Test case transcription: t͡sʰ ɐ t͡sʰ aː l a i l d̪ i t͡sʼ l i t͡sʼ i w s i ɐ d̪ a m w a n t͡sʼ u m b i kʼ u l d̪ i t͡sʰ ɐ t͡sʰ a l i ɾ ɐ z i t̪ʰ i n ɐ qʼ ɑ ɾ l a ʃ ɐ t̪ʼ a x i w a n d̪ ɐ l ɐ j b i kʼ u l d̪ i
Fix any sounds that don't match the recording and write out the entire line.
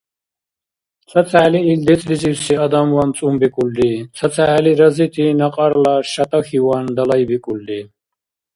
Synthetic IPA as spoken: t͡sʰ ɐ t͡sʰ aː l i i l d̪ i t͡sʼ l i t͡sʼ i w s i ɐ d̪ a m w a n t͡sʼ u m b i kʼ u l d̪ i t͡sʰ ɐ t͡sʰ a l i ɾ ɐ z i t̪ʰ i n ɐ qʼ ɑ ɾ l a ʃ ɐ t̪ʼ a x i w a n d̪ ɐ l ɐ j b i kʼ u l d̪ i